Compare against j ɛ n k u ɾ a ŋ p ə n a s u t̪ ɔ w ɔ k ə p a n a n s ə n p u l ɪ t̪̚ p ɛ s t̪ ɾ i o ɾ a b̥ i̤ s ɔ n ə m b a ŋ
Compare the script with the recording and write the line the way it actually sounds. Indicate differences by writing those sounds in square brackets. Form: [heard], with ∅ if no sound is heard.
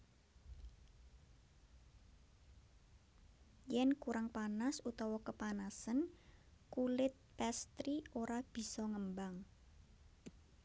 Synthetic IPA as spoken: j ɛ n k u ɾ a ŋ p [a] n a s u t̪ ɔ w ɔ k ə p a n a [∅] s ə n [k] u l ɪ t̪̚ p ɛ s t̪ ɾ i o ɾ a b̥ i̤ s ɔ [ŋ] ə m b a ŋ